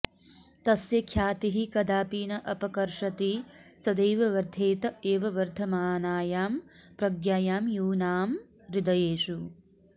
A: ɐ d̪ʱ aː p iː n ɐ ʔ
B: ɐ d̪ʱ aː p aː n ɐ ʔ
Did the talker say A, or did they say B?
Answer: A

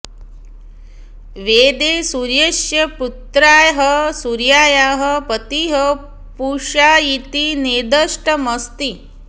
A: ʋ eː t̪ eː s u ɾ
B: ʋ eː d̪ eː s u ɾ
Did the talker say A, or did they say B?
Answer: B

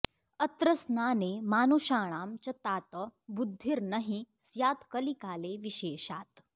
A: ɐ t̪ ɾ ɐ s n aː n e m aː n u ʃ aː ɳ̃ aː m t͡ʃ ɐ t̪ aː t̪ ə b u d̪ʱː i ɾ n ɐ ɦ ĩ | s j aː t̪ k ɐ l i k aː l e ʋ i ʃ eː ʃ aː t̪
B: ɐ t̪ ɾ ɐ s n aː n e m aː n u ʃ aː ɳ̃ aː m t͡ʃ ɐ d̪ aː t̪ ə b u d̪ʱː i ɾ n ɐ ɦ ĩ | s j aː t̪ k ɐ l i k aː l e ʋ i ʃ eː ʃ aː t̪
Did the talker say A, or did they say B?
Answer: A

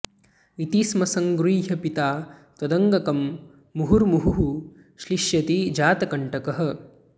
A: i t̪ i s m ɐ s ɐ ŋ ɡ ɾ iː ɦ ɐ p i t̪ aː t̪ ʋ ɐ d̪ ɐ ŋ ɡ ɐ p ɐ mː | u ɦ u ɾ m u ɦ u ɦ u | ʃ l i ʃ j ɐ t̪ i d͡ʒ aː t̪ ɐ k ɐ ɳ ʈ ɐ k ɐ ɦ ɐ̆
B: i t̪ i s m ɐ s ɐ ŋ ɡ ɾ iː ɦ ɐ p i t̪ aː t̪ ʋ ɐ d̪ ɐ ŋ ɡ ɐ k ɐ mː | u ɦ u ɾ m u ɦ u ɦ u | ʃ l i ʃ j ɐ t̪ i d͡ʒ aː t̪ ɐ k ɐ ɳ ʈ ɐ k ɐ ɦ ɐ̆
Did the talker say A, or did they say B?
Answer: B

